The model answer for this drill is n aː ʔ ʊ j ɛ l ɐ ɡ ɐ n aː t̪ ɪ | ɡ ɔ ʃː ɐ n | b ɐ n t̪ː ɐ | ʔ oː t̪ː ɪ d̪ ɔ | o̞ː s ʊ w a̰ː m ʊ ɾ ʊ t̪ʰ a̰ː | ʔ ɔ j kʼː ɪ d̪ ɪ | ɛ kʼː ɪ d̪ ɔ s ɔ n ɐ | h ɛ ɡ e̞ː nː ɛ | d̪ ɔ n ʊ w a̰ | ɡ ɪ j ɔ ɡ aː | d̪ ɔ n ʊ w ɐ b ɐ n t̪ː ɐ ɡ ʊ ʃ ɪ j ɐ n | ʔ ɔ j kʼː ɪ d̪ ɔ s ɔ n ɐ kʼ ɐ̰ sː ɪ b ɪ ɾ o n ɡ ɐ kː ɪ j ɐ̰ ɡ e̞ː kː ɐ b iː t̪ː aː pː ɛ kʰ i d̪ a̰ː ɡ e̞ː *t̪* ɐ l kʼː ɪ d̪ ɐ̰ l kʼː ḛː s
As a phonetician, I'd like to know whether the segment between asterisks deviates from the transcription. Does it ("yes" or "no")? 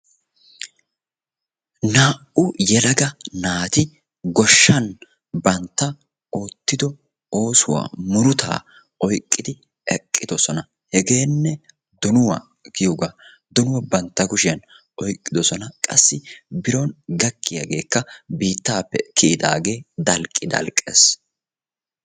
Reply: yes